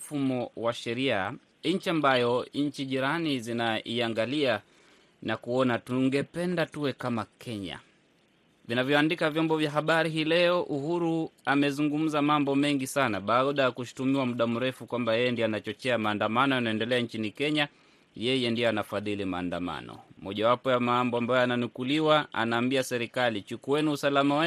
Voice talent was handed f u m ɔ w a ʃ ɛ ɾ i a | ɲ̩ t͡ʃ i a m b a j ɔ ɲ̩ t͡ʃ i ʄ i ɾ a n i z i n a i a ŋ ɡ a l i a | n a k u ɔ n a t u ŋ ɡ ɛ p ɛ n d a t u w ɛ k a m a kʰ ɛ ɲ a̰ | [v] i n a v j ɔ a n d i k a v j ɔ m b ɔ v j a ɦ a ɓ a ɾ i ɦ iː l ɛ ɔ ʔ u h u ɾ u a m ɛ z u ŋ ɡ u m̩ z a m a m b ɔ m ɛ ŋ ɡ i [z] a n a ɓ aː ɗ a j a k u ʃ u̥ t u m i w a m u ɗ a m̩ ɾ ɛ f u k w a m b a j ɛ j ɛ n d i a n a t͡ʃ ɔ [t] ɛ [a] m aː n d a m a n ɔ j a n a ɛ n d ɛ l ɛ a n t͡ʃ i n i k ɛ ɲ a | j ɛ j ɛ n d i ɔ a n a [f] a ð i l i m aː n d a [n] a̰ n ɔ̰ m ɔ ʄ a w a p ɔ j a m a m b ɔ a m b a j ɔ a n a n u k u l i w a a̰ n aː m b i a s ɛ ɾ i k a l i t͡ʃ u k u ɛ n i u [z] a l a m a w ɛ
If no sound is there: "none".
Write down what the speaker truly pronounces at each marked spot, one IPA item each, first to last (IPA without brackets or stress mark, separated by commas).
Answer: v, s, t͡ʃ, a, f, m, s